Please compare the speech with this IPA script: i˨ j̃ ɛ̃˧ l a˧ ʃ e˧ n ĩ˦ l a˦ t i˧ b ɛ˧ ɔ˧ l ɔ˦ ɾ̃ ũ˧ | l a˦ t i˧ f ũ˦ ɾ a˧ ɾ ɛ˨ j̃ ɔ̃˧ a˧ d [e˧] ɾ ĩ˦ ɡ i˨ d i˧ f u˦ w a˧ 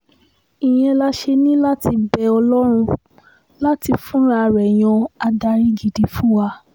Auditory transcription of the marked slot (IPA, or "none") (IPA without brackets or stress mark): a˧